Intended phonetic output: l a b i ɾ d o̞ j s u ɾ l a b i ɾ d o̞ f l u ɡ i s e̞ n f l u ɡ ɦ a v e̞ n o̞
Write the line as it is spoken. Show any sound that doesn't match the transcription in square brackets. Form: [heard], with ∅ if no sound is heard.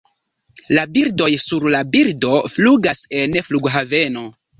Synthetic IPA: l a b i ɾ d o̞ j s u ɾ l a b i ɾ d o̞ f l u ɡ [a] s e̞ n f l u ɡ ɦ a v e̞ n o̞